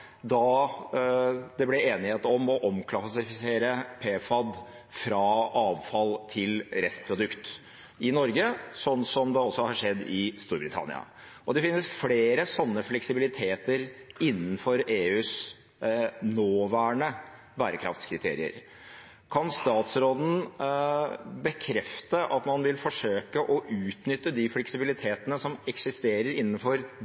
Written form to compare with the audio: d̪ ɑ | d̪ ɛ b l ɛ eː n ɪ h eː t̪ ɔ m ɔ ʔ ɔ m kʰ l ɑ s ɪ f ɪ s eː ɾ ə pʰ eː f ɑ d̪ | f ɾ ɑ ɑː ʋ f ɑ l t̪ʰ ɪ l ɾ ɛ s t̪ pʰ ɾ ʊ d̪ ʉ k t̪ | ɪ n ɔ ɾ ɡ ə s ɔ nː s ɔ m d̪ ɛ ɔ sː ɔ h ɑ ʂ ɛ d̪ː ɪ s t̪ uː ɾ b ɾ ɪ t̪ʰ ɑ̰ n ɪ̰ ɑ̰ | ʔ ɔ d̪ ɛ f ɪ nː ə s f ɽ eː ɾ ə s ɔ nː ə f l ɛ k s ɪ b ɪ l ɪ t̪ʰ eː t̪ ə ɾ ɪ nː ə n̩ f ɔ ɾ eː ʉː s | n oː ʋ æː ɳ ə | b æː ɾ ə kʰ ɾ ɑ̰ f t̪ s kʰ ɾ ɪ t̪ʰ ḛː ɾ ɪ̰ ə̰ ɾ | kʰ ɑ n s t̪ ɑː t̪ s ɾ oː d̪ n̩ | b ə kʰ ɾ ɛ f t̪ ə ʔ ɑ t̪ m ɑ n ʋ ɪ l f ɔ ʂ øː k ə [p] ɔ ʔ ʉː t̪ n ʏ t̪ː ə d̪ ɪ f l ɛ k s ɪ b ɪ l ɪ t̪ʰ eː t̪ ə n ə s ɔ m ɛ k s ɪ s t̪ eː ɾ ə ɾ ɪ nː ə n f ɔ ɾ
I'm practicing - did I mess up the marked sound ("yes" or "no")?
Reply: yes